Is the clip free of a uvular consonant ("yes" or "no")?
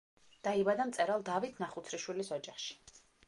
no